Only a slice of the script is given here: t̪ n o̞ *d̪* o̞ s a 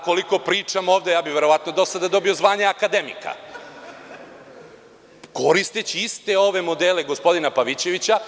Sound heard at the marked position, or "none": d̪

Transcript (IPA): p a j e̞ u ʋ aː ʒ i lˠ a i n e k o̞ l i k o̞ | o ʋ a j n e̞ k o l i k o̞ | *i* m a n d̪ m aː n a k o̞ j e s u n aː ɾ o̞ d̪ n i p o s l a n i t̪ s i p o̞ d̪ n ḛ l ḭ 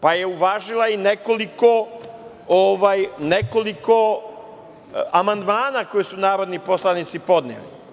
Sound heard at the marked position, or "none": a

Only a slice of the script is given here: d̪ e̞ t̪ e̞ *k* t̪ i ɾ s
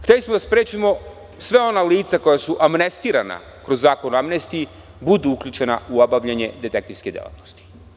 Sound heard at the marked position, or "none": k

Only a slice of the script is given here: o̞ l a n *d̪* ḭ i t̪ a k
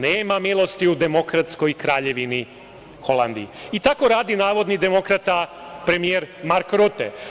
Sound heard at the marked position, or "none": d̪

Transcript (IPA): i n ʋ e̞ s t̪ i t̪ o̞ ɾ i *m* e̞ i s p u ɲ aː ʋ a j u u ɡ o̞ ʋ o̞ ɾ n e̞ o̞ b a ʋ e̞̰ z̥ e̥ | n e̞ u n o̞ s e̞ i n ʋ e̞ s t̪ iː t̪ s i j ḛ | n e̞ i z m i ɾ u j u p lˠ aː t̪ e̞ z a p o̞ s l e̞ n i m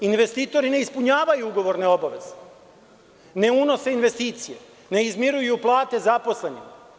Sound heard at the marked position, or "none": n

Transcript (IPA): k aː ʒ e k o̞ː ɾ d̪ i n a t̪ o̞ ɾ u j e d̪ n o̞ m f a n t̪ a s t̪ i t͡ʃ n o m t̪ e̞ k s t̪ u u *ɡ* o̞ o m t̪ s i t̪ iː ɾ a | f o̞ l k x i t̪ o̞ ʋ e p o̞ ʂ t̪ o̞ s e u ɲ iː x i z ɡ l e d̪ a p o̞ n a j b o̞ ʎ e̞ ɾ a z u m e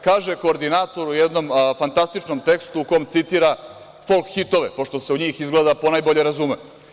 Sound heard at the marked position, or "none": k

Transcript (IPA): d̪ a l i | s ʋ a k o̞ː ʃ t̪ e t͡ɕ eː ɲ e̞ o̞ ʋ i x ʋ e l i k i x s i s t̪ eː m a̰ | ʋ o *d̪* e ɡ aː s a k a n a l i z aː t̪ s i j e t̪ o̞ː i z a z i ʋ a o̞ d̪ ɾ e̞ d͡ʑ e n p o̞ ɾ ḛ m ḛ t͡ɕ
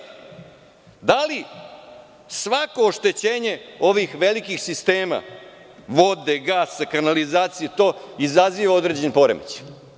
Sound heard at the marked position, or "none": d̪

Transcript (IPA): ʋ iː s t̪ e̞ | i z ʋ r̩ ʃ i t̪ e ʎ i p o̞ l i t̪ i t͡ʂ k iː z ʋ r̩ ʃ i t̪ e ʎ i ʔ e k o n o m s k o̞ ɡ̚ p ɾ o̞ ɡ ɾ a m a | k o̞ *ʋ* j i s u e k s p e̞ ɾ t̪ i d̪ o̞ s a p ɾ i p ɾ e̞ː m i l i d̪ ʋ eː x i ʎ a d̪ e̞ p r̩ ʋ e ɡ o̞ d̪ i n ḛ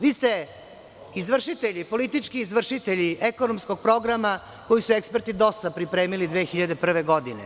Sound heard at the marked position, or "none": none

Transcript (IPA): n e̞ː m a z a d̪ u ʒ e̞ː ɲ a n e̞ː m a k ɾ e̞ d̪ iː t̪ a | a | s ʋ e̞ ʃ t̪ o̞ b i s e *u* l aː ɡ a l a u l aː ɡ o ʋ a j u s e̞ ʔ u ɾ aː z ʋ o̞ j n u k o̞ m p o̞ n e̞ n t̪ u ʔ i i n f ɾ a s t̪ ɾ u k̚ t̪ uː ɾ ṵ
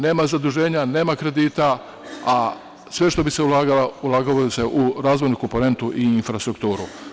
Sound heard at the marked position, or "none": u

